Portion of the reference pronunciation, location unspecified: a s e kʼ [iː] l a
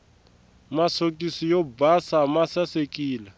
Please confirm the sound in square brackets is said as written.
yes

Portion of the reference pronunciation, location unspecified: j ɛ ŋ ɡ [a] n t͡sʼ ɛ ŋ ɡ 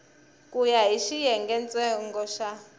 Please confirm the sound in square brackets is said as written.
no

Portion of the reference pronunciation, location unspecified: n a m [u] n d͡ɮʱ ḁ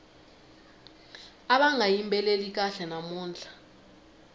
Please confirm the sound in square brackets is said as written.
no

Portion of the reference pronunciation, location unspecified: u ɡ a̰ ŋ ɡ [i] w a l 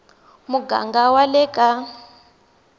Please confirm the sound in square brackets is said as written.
no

